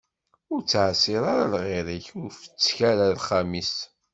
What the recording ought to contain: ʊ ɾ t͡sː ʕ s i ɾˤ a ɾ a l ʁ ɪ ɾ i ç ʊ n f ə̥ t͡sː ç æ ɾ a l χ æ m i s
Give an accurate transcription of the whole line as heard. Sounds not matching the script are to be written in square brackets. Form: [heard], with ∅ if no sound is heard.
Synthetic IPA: ʊ ɾ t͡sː ʕ s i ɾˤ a ɾ a l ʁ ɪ ɾ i ç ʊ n f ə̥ t͡sː ç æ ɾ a l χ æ m i s